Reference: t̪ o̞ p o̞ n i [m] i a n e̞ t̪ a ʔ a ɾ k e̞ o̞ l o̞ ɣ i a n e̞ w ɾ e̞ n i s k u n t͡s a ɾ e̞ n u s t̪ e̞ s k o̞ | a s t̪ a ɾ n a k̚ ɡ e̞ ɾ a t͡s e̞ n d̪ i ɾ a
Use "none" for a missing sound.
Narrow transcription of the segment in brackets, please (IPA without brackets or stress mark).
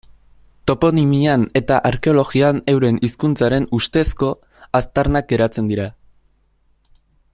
m